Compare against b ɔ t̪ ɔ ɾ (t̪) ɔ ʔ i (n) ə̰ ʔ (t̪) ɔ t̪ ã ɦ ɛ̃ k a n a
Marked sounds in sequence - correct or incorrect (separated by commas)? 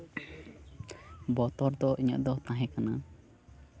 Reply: incorrect, incorrect, incorrect